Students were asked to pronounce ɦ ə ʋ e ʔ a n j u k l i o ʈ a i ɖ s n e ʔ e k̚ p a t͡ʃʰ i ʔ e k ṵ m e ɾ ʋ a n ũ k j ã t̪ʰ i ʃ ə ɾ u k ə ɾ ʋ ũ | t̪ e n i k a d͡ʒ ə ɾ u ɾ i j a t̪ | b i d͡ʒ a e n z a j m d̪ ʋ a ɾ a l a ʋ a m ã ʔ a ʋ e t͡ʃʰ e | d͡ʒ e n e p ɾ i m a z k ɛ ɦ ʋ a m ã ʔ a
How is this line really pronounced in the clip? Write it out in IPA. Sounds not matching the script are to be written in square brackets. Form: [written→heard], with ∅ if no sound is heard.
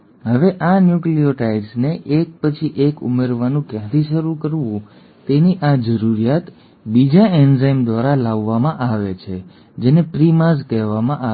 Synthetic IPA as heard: ɦ ə ʋ e ʔ a n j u k l i o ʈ a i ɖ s n e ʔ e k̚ p [a→ə] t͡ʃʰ i ʔ e k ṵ m e ɾ ʋ a n ũ k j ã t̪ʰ i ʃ ə ɾ u k ə ɾ ʋ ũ | t̪ e n i [k→ʔ] a d͡ʒ ə ɾ u ɾ i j a t̪ | b i d͡ʒ a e n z a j m d̪ ʋ a ɾ a l a [ʋ→ʋː] a m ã ʔ a ʋ e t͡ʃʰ e | d͡ʒ e n e p ɾ i m a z k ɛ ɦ ʋ a m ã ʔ a